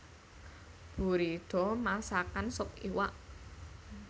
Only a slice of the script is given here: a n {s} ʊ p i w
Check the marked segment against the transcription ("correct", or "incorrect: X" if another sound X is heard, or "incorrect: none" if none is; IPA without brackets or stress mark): correct